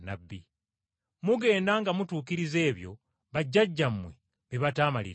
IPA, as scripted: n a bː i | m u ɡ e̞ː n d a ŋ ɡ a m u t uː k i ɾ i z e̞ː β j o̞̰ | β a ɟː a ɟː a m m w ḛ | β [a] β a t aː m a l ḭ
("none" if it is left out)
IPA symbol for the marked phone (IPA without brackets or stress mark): i